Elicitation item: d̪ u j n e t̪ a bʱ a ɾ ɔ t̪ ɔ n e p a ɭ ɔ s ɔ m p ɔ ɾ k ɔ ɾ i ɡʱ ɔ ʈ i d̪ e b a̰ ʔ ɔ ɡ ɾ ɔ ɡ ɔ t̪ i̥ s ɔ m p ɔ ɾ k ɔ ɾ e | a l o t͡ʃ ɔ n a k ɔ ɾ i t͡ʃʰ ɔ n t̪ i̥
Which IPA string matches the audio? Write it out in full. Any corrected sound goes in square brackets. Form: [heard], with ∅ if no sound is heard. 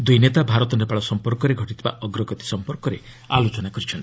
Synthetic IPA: d̪ u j n e t̪ a bʱ a ɾ ɔ t̪ ɔ n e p a ɭ ɔ s ɔ m p ɔ ɾ k ɔ ɾ [e] ɡʱ ɔ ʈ i [t̪] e b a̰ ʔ ɔ ɡ ɾ ɔ ɡ ɔ t̪ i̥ s ɔ m p ɔ ɾ k ɔ ɾ e | a l o t͡ʃ ɔ n a k ɔ ɾ i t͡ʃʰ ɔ n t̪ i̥